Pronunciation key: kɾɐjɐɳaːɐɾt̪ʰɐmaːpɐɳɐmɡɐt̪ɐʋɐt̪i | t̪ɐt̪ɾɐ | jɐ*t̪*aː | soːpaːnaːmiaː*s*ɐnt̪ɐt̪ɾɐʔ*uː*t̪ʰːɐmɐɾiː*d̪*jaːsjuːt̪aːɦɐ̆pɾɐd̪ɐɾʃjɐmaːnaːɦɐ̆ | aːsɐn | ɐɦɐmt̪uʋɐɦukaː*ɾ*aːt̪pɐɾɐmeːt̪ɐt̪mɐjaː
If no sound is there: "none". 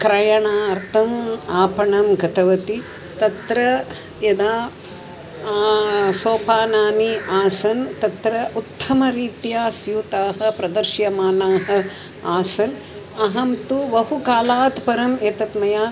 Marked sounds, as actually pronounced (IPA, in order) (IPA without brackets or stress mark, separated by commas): d̪, s, u, t̪, l